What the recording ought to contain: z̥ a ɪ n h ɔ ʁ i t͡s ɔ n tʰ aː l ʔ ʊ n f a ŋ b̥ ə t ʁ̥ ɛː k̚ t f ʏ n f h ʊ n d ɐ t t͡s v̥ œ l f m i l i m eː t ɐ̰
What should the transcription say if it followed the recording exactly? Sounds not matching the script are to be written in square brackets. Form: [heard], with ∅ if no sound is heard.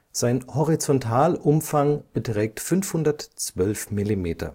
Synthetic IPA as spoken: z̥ a ɪ n h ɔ ʁ i t͡s ɔ n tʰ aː l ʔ ʊ [m] f a ŋ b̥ ə t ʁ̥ ɛː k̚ t f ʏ n f h ʊ n d ɐ t t͡s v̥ œ l f m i l i m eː t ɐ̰